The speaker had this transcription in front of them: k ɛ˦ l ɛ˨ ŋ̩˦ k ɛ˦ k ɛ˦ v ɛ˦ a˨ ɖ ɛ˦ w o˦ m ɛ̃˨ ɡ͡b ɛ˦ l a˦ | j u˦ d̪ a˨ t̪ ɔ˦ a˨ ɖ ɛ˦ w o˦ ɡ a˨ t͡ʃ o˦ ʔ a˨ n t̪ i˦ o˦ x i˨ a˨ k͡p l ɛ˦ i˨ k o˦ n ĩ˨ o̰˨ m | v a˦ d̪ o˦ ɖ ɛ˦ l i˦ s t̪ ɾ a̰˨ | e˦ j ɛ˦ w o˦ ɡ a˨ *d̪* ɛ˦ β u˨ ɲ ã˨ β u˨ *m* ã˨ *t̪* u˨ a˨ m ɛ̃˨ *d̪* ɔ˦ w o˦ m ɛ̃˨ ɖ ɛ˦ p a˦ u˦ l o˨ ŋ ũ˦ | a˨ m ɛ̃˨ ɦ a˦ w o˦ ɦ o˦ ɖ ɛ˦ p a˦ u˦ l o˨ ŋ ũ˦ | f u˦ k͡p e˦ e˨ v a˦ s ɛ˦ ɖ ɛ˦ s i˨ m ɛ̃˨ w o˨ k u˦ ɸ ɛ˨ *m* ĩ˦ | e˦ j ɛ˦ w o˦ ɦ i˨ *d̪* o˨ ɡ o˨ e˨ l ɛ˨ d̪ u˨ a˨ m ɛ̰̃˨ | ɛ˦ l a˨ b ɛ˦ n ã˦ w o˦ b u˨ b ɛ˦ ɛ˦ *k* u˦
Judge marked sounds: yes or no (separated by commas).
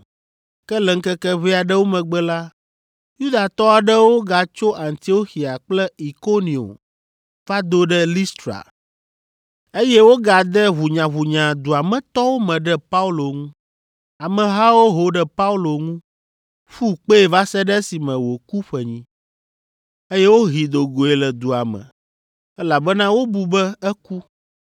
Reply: yes, no, no, no, no, yes, yes